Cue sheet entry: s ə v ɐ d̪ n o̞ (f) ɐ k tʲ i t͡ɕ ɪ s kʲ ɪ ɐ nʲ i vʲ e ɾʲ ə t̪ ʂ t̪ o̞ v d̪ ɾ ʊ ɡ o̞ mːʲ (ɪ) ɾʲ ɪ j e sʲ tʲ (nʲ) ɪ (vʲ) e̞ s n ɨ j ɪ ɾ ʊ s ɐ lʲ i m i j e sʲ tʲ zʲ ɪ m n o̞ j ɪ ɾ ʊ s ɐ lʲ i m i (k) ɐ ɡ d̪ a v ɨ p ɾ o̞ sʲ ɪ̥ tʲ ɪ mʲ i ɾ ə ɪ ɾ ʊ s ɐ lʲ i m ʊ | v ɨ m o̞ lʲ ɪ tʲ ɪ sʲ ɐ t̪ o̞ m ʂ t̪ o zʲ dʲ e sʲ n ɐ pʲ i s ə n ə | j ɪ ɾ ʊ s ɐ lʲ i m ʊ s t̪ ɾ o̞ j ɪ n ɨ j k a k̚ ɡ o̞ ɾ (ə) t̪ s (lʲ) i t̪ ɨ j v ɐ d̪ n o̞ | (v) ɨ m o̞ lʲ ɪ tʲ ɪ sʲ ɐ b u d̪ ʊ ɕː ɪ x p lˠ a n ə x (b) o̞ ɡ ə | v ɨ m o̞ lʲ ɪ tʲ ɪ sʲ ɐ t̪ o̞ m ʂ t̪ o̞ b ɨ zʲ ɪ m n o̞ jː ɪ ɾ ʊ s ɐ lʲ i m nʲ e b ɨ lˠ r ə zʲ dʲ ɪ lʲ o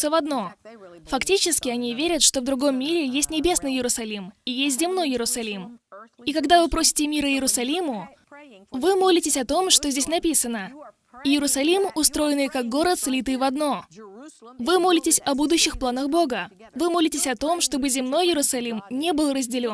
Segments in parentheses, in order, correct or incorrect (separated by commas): correct, incorrect, correct, incorrect, correct, correct, correct, correct, correct